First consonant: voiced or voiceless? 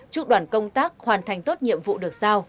voiceless